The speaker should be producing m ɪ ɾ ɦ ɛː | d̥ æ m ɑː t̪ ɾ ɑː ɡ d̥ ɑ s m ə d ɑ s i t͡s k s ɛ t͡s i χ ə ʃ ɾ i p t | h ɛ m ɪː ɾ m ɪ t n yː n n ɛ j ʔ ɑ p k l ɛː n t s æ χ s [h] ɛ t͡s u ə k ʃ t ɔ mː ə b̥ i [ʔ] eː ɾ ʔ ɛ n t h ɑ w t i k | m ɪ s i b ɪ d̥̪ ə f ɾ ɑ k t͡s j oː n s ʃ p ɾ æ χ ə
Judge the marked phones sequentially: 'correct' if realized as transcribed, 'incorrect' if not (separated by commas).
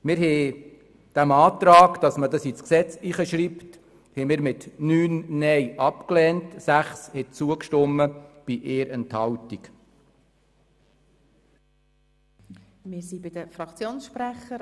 correct, correct